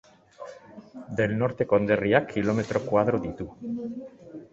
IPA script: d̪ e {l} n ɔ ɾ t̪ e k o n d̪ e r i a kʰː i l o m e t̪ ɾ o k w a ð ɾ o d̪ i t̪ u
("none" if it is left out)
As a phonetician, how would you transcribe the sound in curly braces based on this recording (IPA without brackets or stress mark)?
l